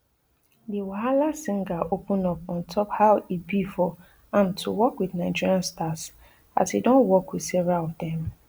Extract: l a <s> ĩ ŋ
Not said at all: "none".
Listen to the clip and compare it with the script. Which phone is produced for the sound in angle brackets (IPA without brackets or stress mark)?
s